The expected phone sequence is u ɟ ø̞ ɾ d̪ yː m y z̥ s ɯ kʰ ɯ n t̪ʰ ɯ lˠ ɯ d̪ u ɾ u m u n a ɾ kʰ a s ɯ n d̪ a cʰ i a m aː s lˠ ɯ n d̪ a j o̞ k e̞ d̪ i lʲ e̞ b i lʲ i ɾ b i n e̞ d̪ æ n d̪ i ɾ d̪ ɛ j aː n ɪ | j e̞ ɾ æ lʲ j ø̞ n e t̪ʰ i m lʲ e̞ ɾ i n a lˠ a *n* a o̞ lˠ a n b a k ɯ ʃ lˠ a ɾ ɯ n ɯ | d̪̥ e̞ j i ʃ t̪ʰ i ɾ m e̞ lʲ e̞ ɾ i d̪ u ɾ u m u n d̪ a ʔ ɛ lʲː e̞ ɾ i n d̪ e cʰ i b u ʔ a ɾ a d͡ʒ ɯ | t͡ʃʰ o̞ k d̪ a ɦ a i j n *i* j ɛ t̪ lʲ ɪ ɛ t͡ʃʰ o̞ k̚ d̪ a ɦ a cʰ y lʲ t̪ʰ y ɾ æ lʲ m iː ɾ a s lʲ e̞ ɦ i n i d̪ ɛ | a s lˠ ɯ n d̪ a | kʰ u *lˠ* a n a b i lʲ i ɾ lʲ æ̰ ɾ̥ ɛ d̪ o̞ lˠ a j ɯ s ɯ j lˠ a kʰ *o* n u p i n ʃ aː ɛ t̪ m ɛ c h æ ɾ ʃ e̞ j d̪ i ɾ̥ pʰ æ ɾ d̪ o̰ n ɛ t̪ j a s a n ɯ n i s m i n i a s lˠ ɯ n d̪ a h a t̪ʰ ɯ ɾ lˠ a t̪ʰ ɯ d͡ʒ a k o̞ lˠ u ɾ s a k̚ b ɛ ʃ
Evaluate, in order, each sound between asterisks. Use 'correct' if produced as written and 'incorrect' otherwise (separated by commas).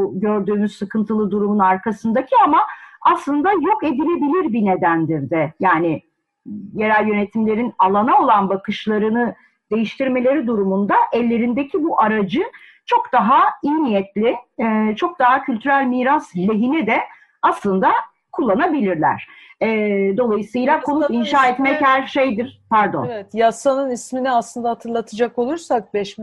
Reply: correct, correct, incorrect, correct